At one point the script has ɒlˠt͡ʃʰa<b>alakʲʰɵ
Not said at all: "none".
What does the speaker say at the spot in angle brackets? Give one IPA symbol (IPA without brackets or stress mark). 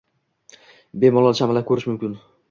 m